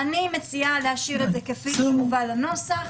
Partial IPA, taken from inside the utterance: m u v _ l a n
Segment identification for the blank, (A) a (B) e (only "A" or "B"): A